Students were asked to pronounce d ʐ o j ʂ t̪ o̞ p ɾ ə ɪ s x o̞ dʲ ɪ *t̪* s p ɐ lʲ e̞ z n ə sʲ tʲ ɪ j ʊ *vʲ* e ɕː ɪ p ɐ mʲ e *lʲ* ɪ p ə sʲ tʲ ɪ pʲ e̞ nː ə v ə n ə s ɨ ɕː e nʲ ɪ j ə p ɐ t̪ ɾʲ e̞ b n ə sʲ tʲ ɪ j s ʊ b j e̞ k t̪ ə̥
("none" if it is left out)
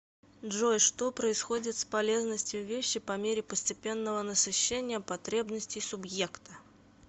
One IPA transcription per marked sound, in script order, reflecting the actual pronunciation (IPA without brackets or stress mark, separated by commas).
t̪, vʲ, ɾʲ